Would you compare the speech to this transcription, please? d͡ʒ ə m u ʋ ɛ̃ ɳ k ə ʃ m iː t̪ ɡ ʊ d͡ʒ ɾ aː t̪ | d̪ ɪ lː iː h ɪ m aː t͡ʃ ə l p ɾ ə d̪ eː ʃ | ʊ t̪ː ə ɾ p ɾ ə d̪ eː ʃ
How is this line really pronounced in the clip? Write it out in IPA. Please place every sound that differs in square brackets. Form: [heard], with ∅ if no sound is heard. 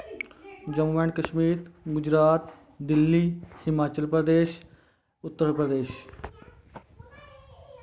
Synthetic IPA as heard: d͡ʒ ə m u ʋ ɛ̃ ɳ k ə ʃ m iː t̪ ɡ ʊ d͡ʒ ɾ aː t̪ | d̪ ɪ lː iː h ɪ m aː t͡ʃ ə l p ɾ ə d̪ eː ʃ | ʊ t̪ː ə ɾ p ɾ ə d̪ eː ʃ